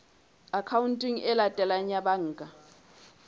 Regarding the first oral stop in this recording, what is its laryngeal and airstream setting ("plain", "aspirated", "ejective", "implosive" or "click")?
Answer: aspirated